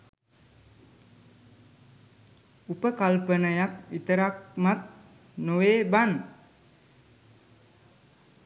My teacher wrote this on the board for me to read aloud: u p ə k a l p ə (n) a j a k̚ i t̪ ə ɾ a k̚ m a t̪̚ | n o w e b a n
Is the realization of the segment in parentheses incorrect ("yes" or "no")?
no